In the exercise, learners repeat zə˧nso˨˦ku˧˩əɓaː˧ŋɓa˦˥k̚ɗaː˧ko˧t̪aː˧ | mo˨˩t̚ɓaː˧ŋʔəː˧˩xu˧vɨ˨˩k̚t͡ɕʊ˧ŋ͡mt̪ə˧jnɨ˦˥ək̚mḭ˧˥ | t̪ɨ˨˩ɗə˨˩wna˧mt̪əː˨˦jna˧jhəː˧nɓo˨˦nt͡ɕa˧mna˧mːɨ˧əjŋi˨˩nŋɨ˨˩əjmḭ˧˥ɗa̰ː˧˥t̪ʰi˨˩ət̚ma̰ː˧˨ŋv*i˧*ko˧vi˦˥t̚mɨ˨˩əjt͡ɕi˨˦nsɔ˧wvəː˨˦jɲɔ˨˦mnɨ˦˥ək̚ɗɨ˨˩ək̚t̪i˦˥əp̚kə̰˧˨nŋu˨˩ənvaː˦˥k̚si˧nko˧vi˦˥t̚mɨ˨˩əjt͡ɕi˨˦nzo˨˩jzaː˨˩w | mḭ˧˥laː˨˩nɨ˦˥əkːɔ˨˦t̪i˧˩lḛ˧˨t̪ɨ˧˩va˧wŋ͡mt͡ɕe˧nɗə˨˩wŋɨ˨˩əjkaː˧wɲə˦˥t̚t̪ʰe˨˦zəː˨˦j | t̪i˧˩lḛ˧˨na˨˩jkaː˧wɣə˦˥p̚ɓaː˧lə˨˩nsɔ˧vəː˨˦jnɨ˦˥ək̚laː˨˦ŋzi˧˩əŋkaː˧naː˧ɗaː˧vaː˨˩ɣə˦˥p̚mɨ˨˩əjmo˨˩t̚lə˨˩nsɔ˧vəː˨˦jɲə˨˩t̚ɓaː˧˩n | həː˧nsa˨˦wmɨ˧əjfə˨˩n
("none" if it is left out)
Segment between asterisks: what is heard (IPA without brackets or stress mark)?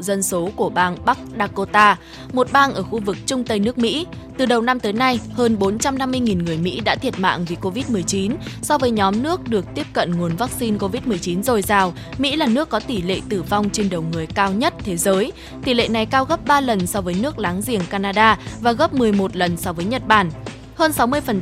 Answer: i˨˩